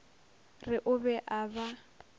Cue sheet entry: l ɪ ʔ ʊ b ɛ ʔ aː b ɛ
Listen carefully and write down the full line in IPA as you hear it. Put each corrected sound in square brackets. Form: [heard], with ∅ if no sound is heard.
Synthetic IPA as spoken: [r] ɪ ʔ ʊ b ɛ ʔ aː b [a]